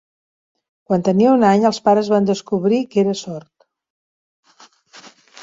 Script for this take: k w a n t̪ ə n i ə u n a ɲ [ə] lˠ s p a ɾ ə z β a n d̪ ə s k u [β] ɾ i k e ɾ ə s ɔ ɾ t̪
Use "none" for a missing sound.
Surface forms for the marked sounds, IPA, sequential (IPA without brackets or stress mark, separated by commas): ə, β